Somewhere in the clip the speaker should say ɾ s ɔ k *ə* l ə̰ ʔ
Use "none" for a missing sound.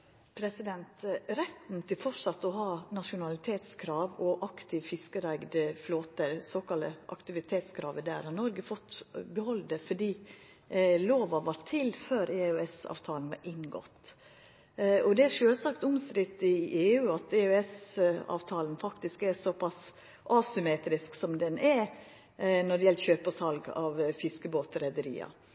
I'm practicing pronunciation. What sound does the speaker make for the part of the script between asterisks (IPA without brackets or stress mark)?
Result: ɑ